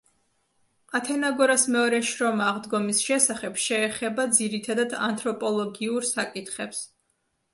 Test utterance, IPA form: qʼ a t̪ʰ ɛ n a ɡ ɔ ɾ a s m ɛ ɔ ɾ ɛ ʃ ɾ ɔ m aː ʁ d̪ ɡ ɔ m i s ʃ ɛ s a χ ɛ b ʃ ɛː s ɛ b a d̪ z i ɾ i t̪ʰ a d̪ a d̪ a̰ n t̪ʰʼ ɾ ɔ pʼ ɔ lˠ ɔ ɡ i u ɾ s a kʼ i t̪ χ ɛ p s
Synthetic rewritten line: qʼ a t̪ʰ ɛ n a ɡ ɔ ɾ a s m ɛ ɔ ɾ ɛ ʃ ɾ ɔ m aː ʁ d̪ ɡ ɔ m i s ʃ ɛ s a χ ɛ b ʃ ɛː χ ɛ b a d̪ z i ɾ i t̪ʰ a d̪ a d̪ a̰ n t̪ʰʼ ɾ ɔ pʼ ɔ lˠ ɔ ɡ i u ɾ s a kʼ i t̪ χ ɛ p s